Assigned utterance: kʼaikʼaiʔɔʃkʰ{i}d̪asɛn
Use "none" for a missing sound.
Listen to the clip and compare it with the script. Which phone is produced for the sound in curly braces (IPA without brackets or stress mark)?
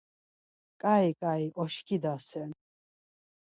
i